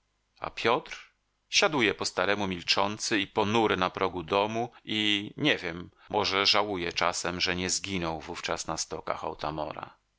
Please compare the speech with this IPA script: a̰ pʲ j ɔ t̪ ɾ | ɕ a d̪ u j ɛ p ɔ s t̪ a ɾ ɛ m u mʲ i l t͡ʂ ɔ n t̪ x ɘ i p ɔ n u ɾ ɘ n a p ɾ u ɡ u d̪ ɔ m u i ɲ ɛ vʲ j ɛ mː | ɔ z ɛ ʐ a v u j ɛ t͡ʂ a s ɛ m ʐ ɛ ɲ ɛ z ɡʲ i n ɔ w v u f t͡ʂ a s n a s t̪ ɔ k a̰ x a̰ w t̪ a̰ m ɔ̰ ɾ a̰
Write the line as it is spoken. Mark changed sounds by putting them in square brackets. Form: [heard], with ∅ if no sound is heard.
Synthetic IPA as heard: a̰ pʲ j ɔ t̪ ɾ | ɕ a d̪ u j ɛ p ɔ s t̪ a ɾ ɛ m u mʲ i l t͡ʂ ɔ n t̪ [s] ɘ i p ɔ n u ɾ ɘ n a p ɾ [ɔ] ɡ u d̪ ɔ m u i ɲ ɛ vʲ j ɛ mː | ɔ [ʐ] ɛ ʐ a [w] u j ɛ t͡ʂ a s ɛ m ʐ ɛ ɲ ɛ z ɡʲ i n ɔ w v u f t͡ʂ a s n a s t̪ ɔ k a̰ x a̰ w t̪ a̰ m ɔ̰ ɾ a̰